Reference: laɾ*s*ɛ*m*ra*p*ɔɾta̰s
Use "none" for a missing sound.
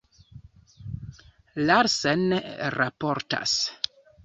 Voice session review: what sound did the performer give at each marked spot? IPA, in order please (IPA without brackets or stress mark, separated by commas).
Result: s, n, p